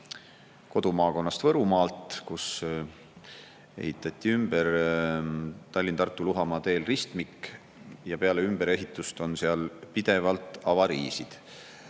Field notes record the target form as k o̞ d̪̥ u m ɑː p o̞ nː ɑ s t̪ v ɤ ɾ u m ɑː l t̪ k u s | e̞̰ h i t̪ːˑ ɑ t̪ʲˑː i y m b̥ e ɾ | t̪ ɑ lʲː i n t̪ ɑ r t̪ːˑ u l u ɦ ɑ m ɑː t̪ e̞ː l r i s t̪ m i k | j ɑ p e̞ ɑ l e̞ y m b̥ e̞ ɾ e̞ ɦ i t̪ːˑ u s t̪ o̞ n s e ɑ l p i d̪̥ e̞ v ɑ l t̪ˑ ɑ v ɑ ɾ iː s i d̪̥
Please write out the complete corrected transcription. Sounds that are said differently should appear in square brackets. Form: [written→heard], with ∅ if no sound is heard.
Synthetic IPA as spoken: k o̞ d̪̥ u m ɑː [p→k] o̞ nː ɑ s t̪ v ɤ ɾ u m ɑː l t̪ k u s | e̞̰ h i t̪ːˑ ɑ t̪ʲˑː i y m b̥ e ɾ | t̪ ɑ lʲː i n t̪ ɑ r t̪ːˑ u l u ɦ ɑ m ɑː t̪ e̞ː l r i s t̪ m i k | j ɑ p e̞ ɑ l e̞ y m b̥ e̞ ɾ e̞ ɦ i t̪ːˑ u s t̪ o̞ n s e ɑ l p i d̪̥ e̞ v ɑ l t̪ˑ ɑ v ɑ ɾ iː s i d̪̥